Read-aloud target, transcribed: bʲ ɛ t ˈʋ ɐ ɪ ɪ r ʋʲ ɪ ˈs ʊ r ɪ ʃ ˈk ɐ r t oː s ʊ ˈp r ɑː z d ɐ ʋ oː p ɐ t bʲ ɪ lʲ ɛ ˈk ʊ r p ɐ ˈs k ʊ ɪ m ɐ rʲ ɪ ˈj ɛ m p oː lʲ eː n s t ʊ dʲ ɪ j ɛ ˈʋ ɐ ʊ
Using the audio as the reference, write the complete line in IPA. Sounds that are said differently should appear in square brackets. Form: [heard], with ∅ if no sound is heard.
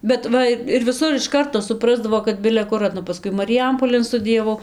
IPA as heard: bʲ ɛ t ˈʋ ɐ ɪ ɪ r ʋʲ ɪ ˈs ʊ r ɪ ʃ ˈk ɐ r t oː s ʊ ˈp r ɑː z d ɐ ʋ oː [k] ɐ t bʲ ɪ lʲ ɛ ˈk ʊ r p ɐ ˈs k ʊ ɪ m ɐ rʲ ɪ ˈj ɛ m p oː lʲ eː n s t ʊ dʲ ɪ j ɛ ˈʋ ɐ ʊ